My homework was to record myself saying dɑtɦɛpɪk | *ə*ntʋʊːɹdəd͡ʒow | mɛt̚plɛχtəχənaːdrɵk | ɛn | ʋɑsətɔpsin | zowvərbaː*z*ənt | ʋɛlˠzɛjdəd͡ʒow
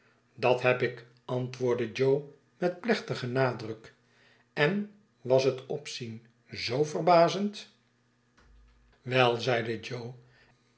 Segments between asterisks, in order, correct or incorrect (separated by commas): incorrect, correct